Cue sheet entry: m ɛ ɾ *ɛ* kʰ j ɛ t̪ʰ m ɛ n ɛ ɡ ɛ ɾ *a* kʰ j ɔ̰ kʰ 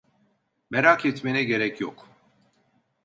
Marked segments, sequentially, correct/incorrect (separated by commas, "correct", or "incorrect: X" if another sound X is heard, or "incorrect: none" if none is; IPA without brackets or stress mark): incorrect: a, incorrect: ɛ